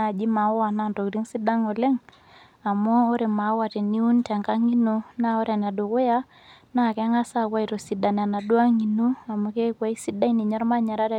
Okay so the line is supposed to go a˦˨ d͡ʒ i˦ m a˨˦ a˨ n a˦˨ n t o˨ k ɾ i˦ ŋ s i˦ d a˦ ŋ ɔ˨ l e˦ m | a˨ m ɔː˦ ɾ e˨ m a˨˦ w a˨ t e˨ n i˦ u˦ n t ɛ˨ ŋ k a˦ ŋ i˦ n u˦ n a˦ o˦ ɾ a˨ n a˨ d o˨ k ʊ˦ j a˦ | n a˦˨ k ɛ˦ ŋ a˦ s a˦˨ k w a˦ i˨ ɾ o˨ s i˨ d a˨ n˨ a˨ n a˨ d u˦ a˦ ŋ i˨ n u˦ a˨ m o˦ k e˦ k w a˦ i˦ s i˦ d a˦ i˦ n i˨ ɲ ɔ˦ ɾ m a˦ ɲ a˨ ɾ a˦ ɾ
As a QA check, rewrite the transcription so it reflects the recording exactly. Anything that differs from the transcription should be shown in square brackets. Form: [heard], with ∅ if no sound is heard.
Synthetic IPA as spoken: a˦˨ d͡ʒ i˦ m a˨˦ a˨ n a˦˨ n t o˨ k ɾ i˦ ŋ s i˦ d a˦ ŋ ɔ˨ l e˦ [ŋ] | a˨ m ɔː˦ ɾ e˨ m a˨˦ w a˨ t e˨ n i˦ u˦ n t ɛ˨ ŋ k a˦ ŋ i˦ n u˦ n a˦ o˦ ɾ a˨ n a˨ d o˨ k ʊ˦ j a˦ | n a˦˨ k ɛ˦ ŋ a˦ s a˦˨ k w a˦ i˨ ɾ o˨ s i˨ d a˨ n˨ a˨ n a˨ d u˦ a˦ ŋ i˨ n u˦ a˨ m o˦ k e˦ k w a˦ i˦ s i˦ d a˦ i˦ n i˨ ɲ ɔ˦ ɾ m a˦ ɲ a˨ ɾ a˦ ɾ